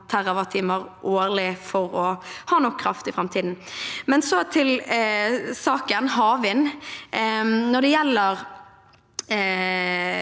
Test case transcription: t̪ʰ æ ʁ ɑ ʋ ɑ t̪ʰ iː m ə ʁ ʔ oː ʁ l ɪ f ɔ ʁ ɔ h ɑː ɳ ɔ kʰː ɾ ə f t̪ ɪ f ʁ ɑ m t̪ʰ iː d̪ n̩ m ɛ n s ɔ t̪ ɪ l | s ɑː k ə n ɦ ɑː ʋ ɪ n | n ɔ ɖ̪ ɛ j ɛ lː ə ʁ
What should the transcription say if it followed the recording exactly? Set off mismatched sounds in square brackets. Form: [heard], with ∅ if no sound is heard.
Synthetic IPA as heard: t̪ʰ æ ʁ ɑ ʋ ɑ t̪ʰ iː m ə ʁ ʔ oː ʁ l ɪ f ɔ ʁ ɔ h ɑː [n] ɔ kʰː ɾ [ɑ] f t̪ ɪ f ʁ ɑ m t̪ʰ iː d̪ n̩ m ɛ n s ɔ [t̪ʰ] ɪ l | s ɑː k ə n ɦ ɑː ʋ ɪ n | n ɔ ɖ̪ ɛ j ɛ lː ə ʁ